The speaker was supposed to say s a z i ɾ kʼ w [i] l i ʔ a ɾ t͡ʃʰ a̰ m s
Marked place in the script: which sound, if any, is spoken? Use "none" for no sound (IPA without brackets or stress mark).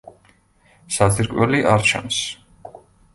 ɛ